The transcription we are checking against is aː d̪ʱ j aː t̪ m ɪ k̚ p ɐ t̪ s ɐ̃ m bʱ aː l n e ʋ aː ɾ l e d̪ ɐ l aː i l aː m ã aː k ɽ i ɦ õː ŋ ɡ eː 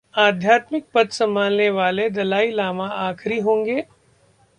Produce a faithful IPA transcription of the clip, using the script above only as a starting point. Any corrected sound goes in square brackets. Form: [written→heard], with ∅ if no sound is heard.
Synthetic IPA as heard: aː d̪ʱ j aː t̪ m ɪ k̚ p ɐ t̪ s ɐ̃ m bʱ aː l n e ʋ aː [ɾ→∅] l e d̪ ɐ l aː i l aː m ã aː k [ɽ→ɾ] i ɦ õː ŋ ɡ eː

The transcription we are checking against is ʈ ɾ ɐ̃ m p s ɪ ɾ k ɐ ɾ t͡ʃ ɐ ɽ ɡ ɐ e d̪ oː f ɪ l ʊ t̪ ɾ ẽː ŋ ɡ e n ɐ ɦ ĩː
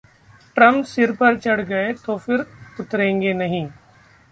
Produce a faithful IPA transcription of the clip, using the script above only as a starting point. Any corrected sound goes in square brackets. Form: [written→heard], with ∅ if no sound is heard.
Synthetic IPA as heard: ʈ ɾ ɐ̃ m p s ɪ ɾ [k→p] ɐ ɾ t͡ʃ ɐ ɽ ɡ ɐ e [d̪→t̪] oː f ɪ [l→ɾ] ʊ t̪ ɾ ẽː ŋ ɡ e n ɐ ɦ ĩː

